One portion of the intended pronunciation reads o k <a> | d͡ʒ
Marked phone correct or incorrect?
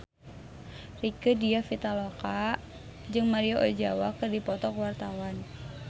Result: correct